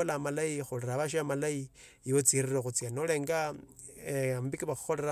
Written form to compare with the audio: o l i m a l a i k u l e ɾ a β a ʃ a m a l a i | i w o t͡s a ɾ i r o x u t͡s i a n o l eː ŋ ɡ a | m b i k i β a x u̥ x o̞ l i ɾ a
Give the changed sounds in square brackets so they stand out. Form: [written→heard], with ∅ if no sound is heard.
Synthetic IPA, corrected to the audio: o l [i→a] m a l a i [k→x] u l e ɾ a β a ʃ a m a l a i | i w o t͡s [a→i] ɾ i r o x u t͡s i a n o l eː ŋ ɡ a | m b i k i β a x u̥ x o̞ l [i→e] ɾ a